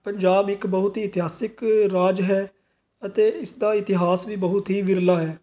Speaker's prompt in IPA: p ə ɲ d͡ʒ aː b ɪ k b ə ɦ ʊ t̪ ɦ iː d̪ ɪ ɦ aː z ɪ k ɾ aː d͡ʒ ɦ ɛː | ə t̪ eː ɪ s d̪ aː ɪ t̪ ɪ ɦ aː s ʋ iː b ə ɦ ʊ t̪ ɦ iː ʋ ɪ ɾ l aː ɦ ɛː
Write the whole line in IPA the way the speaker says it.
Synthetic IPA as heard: p ə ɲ d͡ʒ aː b ɪ k b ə ɦ ʊ t̪ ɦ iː t̪ ɪ ɦ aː s ɪ k ɾ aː d͡ʒ ɦ ɛː | ə t̪ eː ɪ s d̪ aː ɪ t̪ ɪ ɦ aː s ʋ iː b ə ɦ ʊ t̪ ɦ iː ʋ ɪ ɾ l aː ɦ ɛː